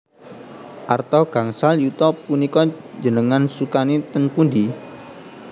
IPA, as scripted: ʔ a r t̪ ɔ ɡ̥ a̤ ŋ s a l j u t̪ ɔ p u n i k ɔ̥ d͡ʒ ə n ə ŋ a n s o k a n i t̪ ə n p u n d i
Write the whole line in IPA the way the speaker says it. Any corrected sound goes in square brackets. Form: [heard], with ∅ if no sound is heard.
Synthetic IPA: ʔ a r t̪ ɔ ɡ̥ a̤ ŋ s a l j u t̪ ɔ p u n i k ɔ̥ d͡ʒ ə n ə ŋ a n s [u] k a n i t̪ ə n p u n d i